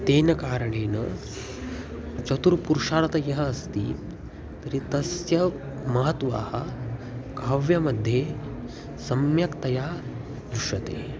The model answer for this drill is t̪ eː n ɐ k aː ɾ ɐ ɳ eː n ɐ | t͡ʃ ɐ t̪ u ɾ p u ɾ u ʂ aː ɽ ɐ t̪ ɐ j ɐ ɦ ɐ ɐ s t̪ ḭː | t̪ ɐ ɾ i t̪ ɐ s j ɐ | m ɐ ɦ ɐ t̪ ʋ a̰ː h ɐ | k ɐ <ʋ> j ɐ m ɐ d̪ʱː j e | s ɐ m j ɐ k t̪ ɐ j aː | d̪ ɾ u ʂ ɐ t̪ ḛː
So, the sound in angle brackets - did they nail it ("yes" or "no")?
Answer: yes